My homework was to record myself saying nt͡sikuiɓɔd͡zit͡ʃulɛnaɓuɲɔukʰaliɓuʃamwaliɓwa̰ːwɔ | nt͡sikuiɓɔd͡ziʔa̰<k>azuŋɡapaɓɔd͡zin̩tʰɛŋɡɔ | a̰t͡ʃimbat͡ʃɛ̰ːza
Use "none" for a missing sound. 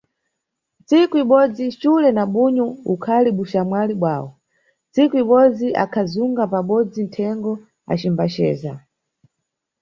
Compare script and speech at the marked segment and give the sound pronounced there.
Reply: kʰ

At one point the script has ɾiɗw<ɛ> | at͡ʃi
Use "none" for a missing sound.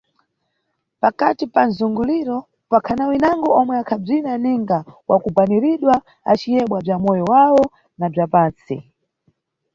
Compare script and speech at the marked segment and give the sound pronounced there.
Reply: a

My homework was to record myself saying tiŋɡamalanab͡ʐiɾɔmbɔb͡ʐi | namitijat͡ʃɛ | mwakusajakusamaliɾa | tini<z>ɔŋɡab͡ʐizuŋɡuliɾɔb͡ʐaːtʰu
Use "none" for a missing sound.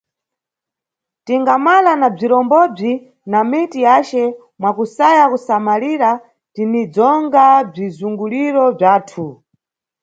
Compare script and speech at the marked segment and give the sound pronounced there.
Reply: d͡z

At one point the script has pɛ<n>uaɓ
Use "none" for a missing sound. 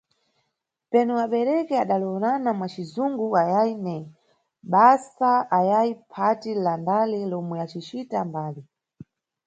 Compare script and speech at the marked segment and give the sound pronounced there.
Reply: n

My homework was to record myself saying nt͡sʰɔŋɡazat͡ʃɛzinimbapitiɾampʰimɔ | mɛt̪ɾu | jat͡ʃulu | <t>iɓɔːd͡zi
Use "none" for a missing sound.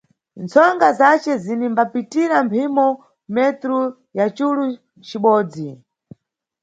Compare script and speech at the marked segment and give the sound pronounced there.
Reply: t͡ʃ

